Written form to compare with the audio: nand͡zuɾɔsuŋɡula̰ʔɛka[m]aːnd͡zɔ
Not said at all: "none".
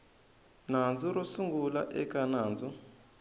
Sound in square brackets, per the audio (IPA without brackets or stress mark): n